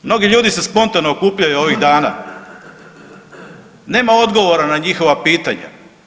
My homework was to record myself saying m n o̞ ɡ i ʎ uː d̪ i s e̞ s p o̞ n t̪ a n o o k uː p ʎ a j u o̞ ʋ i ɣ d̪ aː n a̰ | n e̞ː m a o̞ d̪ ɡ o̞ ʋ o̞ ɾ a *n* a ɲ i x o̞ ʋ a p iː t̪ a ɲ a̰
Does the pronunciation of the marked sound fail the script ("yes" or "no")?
no